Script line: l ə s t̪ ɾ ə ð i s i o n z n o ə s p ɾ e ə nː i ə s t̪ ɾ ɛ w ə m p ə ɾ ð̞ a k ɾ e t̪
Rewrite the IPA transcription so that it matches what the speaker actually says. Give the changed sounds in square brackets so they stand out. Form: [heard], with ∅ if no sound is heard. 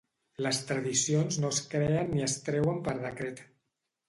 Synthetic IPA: l ə s t̪ ɾ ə ð i s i o n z n o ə s [k] ɾ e ə nː i ə s t̪ ɾ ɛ w ə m p ə ɾ ð̞ [ə] k ɾ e t̪